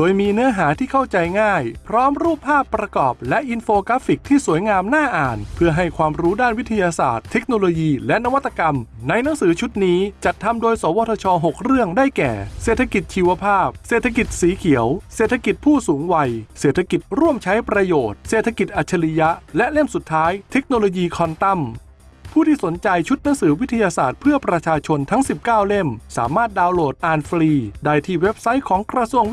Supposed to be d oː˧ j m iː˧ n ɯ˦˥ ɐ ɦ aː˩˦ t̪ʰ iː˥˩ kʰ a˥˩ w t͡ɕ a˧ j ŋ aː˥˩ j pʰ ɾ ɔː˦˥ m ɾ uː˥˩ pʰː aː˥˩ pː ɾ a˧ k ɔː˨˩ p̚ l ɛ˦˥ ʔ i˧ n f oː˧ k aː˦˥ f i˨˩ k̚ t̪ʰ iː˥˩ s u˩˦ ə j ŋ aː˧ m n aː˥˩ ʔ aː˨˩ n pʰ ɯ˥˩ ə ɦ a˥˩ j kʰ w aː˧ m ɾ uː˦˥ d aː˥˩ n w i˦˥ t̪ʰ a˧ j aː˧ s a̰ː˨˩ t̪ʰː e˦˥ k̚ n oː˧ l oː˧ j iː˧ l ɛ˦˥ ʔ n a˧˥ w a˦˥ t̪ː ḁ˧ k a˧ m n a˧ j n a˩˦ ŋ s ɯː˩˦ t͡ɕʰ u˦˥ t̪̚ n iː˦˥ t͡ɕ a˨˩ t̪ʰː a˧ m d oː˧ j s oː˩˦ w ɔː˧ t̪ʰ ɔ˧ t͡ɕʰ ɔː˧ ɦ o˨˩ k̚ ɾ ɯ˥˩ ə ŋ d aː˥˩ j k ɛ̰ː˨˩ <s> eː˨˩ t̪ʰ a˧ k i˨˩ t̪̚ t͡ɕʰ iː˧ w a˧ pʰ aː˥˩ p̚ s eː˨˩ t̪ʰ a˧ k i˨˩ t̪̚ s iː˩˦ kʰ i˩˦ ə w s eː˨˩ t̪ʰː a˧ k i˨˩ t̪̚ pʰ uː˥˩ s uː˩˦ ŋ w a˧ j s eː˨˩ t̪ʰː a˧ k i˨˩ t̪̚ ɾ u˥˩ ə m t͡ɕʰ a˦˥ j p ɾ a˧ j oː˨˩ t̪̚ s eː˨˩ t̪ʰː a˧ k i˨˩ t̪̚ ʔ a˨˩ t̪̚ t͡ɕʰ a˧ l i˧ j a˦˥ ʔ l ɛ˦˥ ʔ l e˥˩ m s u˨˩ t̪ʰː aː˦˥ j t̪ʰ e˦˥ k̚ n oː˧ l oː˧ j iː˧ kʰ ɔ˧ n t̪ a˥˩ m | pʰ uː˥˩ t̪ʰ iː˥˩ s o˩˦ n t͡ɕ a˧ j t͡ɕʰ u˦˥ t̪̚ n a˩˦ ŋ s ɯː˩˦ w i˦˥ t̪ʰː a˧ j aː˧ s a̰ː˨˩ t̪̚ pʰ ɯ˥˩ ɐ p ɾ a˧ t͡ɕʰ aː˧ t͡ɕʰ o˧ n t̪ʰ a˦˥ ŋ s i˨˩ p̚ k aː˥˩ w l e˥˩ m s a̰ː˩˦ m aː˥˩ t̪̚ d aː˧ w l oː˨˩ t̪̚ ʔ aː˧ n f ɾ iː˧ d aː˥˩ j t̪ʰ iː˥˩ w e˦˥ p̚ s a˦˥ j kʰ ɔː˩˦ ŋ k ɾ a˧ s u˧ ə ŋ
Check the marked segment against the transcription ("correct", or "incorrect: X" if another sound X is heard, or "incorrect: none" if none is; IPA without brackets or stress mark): correct